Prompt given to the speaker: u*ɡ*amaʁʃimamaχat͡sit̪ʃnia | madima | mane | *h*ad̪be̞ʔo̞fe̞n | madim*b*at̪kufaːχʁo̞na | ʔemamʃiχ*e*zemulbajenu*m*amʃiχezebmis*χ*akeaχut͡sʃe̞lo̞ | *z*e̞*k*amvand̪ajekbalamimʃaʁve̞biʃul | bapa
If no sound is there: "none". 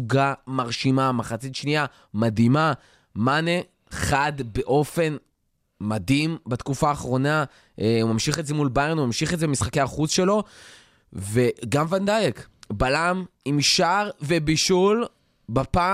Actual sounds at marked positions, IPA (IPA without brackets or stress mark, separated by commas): ɡ, χ, b, e, m, χ, v, ɡ